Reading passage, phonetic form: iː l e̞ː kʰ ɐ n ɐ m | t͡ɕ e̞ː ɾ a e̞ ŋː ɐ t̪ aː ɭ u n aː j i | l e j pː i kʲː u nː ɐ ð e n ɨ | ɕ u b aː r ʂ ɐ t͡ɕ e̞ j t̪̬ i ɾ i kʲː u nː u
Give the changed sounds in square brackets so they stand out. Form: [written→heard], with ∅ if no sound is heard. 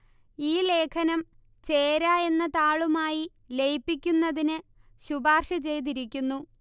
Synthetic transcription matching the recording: iː l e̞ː kʰ ɐ n ɐ m | t͡ɕ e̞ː ɾ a e̞ [ŋː→nː] ɐ t̪ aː ɭ u [n→m] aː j i | l e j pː i kʲː u nː ɐ ð [e→i] n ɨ | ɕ u b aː r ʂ ɐ t͡ɕ e̞ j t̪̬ i ɾ i kʲː u nː u